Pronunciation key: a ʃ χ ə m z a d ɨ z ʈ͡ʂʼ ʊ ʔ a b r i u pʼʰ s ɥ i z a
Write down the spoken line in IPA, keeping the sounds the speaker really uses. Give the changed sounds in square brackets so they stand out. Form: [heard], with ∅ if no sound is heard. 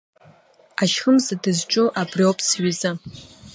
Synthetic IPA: a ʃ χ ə m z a d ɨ z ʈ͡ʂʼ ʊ ʔ a b r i [o] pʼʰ s ɥ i z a